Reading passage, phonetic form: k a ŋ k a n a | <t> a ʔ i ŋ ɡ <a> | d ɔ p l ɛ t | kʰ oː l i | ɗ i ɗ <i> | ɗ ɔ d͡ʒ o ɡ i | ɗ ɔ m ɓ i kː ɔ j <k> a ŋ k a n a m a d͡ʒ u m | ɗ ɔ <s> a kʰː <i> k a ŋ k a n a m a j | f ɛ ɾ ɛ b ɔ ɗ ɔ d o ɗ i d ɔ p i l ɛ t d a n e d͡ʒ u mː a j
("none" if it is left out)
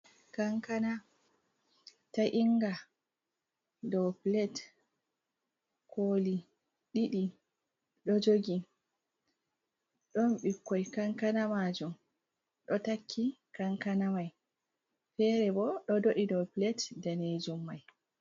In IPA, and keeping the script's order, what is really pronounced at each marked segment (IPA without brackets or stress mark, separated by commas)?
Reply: t, a, i, k, t, i